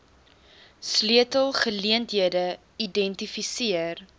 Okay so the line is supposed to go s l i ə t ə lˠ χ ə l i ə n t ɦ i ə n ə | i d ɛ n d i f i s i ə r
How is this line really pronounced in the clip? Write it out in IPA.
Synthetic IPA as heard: s l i ə t ə lˠ χ ə l i ə n t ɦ i ə d ə | i d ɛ n t i f i s i ə r